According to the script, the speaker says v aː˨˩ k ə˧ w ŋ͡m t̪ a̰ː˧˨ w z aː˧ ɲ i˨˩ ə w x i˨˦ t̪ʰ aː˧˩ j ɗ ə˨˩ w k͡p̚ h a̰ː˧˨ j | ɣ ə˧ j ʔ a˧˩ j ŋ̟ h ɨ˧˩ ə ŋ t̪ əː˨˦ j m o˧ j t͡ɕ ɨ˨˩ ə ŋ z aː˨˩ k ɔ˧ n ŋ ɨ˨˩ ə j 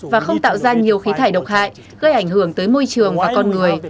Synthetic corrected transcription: v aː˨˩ x ə˧ w ŋ͡m t̪ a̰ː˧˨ w z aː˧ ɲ i˨˩ ə w x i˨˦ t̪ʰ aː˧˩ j ɗ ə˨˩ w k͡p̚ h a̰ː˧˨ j | ɣ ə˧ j ʔ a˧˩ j ŋ̟ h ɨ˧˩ ə ŋ t̪ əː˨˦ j m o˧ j t͡ɕ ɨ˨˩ ə ŋ v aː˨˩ k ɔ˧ n ŋ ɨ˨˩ ə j

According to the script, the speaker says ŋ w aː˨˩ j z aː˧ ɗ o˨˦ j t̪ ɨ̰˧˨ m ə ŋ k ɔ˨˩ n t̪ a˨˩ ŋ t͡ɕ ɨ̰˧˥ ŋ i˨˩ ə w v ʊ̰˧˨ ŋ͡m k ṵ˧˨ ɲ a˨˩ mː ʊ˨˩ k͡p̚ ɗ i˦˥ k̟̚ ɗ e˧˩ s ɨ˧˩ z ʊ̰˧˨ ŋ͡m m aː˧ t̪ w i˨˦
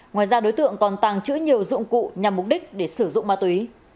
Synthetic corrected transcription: ŋ w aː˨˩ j z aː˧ ɗ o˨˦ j t̪ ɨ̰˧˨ ə ŋ k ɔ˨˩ n t̪ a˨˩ ŋ t͡ɕ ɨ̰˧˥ ɲ i˨˩ ə w z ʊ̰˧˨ ŋ͡m k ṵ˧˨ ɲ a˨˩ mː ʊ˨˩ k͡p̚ ɗ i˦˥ k̟̚ ɗ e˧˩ s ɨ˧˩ z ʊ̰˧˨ ŋ͡m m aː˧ t̪ w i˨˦

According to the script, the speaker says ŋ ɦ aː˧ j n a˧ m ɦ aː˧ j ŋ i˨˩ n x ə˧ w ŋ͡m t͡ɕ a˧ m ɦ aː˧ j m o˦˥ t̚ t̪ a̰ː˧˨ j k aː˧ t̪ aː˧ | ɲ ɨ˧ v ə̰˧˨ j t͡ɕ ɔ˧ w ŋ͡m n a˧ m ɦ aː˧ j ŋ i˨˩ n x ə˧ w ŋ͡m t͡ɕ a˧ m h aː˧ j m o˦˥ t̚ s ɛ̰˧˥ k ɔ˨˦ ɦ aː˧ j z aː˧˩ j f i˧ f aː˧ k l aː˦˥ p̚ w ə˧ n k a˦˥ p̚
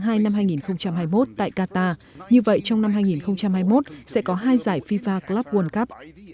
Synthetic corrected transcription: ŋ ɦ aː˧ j n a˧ m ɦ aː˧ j ŋ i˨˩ n x ə˧ w ŋ͡m t͡ɕ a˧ m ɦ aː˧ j m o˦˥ t̚ t̪ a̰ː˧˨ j k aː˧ t̪ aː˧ | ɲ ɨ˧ v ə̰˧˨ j t͡ɕ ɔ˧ w ŋ͡m n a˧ m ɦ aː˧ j ŋ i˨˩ n x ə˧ w ŋ͡m t͡ɕ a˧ m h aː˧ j m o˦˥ t̚ s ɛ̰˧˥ k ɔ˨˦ ɦ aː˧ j z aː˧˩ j f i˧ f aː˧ k l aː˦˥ p̚ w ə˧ n k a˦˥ p̚

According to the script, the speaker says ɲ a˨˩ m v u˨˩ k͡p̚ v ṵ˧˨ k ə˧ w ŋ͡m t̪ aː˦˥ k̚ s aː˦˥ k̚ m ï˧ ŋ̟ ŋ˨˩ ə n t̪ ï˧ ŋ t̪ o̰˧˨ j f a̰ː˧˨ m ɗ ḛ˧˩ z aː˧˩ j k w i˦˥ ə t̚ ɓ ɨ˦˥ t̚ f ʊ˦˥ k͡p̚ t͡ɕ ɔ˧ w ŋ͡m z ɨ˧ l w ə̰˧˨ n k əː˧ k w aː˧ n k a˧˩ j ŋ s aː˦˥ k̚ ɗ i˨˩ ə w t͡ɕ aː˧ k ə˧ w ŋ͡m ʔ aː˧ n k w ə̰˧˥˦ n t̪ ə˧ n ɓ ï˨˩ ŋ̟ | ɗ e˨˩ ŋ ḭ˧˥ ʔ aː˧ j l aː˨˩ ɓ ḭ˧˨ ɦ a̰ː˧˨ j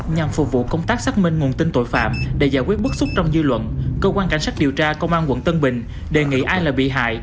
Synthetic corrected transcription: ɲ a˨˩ m f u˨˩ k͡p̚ v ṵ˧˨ k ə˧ w ŋ͡m t̪ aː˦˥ k̚ s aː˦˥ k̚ m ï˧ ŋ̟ ŋ˨˩ ə n t̪ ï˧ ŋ t̪ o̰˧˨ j f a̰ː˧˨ m ɗ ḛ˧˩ z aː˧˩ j k w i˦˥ ə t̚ ɓ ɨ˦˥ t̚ s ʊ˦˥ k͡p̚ t͡ɕ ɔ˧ w ŋ͡m z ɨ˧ l w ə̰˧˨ n k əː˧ k w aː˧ n k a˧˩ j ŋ s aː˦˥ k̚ ɗ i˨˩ ə w t͡ɕ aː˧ k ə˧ w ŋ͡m ʔ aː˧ n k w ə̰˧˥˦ n t̪ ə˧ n ɓ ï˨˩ ŋ̟ | ɗ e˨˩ ŋ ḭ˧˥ ʔ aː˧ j l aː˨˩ ɓ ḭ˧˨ ɦ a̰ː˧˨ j

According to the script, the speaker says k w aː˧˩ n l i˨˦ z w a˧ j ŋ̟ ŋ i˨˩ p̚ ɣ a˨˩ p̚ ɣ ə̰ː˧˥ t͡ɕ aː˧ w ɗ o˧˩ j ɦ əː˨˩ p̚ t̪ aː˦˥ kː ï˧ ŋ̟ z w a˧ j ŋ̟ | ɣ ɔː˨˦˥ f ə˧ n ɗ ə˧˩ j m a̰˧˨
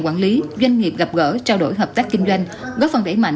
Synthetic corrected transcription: k w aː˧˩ n l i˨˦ z w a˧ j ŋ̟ ŋ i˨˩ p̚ ɣ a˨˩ p̚ ɣ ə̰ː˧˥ t͡ɕ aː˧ w ɗ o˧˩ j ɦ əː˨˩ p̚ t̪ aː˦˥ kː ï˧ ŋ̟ z w a˧ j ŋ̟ | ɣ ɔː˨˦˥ f ə˨˩ n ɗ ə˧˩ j m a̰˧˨

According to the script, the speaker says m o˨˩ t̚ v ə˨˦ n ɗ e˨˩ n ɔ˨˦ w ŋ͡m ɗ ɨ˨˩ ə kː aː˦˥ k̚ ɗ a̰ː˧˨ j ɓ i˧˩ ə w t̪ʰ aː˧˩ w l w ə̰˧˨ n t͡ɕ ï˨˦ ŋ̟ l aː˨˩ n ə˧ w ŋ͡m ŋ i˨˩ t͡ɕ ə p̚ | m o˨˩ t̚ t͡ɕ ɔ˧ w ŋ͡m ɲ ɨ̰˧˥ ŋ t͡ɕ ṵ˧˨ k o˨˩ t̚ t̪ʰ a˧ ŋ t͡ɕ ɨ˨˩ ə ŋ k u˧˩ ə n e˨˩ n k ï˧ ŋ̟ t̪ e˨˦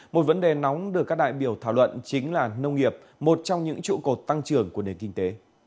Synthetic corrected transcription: m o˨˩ t̚ v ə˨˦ n ɗ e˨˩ n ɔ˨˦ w ŋ͡m ɗ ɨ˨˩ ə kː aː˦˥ k̚ ɗ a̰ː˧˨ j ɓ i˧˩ ə w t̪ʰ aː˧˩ w l w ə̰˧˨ n t͡ɕ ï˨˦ ŋ̟ l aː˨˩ n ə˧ w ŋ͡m ŋ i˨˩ ə p̚ | m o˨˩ t̚ t͡ɕ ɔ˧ w ŋ͡m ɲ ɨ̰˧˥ ŋ t͡ɕ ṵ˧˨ k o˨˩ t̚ t̪ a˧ ŋ t͡ɕ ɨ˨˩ ə ŋ k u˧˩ ə n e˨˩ n k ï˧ ŋ̟ t̪ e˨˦

